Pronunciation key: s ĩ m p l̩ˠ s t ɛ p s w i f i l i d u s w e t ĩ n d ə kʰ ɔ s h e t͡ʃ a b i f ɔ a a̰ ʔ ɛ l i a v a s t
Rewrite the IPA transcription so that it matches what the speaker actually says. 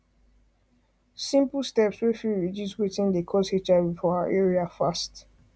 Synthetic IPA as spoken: s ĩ m p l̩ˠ s t ɛ p s w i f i ɹ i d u s w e t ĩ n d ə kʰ ɔ s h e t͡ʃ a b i f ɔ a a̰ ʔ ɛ ɹ i a f a s t